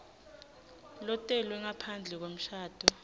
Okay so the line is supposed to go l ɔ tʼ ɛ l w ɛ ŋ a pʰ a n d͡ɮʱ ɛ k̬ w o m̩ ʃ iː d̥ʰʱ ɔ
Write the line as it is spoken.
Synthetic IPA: l ɔ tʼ ɛ l w ɛ ŋ a pʰ a n d͡ɮʱ ɛ k̬ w o m̩ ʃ aː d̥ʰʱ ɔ